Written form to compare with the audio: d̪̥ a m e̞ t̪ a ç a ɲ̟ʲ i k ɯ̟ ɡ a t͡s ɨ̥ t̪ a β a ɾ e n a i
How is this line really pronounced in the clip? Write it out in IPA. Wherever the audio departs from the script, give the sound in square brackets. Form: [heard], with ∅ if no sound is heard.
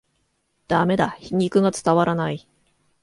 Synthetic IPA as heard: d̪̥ a m e̞ [d̪] a ç [i] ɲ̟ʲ i k ɯ̟ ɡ a t͡s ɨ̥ t̪ a β a ɾ [a] n a i